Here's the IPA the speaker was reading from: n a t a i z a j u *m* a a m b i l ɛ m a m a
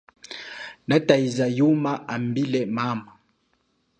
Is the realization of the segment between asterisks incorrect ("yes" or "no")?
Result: no